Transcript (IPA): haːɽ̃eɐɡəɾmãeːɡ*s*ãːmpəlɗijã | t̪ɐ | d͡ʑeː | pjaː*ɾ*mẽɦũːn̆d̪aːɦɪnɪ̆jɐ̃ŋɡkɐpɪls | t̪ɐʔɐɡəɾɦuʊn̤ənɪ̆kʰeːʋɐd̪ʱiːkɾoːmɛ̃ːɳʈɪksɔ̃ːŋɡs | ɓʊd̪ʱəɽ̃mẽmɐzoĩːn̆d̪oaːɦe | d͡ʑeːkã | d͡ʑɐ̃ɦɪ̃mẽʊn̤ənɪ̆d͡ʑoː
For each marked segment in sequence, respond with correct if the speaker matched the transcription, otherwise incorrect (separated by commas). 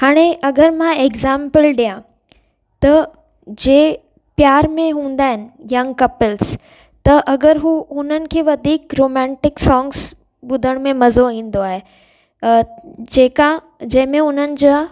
incorrect, correct